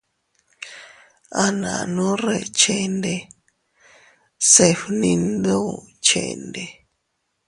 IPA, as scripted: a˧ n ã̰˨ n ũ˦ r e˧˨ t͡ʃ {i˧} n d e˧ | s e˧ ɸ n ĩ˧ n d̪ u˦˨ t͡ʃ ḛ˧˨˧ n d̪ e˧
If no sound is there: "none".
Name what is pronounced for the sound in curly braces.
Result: e˧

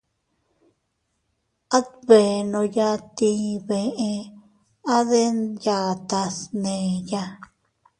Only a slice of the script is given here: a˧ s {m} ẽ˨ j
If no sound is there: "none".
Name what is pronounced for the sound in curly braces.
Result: n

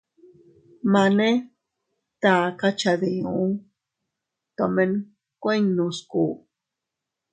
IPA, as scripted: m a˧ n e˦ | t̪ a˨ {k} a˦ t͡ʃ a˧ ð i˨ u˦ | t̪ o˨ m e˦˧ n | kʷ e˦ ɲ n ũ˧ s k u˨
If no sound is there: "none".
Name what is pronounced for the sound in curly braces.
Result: k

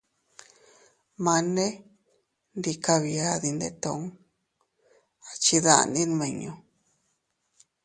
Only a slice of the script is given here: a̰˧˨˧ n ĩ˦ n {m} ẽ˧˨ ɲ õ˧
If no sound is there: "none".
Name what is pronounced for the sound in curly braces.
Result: m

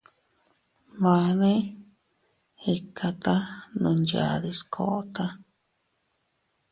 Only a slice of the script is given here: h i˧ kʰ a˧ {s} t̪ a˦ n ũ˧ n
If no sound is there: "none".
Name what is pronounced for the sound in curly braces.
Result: none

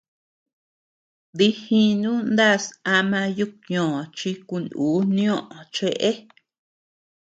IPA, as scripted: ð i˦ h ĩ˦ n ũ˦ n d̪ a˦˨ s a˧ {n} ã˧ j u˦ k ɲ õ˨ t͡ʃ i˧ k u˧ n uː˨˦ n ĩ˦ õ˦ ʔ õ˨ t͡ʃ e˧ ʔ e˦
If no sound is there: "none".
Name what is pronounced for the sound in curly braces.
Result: m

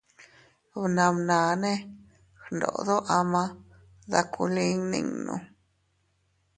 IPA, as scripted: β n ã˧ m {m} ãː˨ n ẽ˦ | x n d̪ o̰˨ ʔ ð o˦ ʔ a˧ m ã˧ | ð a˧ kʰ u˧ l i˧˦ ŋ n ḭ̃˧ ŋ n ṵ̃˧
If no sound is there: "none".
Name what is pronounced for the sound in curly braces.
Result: n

